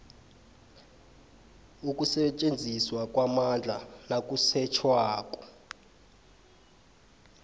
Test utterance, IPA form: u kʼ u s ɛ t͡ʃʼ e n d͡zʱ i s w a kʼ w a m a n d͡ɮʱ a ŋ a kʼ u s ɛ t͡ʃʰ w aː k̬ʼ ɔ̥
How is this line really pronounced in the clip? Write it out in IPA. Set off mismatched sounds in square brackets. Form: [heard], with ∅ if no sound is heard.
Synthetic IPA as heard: u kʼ u s ɛ t͡ʃʼ e n d͡zʱ i s w a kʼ w a m a n d͡ɮʱ a [n] a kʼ u s ɛ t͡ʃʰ w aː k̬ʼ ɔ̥